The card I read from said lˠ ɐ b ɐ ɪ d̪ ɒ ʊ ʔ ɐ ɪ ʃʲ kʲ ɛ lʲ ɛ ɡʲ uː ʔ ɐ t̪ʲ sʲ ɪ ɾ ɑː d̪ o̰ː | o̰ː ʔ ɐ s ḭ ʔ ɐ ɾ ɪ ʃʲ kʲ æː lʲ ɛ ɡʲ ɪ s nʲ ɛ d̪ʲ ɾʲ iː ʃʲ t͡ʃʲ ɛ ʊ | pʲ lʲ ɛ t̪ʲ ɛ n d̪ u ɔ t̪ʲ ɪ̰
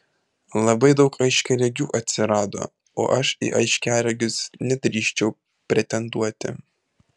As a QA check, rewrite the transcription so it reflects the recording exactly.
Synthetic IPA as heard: lˠ ɐ b ɐ ɪ d̪ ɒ ʊ k ɐ ɪ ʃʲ kʲ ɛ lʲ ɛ ɡʲ uː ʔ ɐ t̪ʲ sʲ ɪ ɾ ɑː d̪ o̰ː | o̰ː ʔ ɐ ʃ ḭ ʔ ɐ ɪ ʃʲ kʲ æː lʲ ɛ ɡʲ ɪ s nʲ ɛ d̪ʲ ɾʲ iː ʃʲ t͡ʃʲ ɛ ʊ | pʲ ɾʲ ɛ t̪ʲ ɛ n d̪ u ɔ t̪ʲ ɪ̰